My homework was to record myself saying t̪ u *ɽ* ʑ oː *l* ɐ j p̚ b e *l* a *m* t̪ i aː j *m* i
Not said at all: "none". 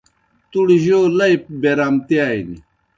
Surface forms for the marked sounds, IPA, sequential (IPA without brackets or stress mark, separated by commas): ɽ, l, ɾ, m, n